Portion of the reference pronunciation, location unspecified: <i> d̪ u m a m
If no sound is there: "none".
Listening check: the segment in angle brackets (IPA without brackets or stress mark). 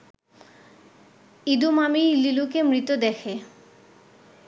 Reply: i